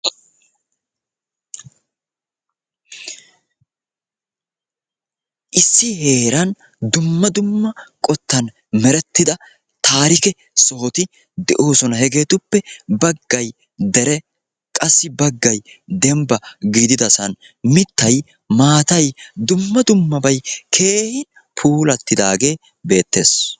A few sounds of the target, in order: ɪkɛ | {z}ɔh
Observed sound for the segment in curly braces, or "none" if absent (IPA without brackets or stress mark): s